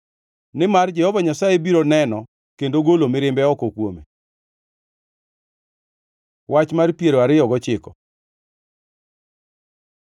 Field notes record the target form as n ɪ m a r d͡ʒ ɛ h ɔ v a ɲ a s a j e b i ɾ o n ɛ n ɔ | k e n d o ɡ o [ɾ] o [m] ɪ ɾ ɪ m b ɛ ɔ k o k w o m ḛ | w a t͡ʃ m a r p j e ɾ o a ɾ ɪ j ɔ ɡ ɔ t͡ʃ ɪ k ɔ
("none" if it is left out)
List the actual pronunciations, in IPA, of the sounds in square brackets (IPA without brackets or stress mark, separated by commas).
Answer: l, m